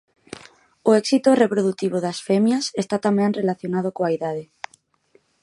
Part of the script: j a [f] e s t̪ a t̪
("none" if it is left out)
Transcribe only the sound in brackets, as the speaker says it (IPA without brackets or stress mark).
s